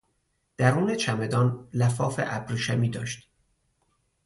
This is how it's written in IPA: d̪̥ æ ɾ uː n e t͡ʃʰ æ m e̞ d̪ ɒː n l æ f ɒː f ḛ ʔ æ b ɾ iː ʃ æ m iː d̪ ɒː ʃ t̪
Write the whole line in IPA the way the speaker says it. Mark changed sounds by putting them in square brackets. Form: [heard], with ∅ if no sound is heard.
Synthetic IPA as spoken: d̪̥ æ ɾ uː n e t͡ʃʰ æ m e̞ d̪ ɒː n l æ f ɒː f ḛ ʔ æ b ɾ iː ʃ æ m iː d̪ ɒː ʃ t̪